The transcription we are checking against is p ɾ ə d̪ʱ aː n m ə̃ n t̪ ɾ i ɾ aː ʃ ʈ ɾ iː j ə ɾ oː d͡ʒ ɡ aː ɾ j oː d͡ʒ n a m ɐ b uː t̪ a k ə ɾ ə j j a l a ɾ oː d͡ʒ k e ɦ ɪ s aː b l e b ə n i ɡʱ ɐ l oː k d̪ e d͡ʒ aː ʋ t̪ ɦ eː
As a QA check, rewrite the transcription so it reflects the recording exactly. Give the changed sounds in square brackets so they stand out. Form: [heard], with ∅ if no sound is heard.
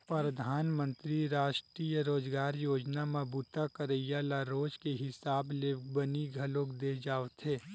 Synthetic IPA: p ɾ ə d̪ʱ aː n m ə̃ n t̪ ɾ i ɾ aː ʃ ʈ ɾ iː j ə ɾ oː d͡ʒ ɡ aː ɾ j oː d͡ʒ n a m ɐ b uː t̪ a k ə ɾ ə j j a l a ɾ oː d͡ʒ k e ɦ ɪ s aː b l e b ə n i ɡʱ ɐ l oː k d̪ e d͡ʒ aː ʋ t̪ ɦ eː